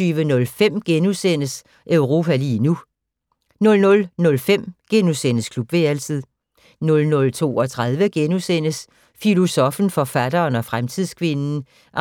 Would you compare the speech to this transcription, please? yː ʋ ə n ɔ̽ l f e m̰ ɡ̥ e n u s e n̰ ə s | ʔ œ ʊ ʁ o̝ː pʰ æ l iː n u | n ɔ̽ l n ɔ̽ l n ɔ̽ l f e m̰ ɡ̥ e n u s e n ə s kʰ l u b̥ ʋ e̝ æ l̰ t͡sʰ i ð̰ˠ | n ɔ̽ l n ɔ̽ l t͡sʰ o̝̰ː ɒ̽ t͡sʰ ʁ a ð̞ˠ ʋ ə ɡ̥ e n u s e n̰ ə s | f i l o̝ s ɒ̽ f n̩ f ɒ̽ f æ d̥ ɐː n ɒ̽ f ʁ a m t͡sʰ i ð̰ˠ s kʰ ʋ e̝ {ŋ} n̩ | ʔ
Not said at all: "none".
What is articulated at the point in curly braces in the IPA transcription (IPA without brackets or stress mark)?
n